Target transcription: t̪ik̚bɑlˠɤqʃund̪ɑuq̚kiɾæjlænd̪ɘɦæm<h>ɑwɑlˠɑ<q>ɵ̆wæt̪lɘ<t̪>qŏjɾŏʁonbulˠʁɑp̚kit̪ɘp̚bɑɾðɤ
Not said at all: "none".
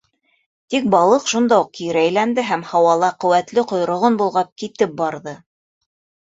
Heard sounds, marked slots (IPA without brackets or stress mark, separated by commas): h, q, none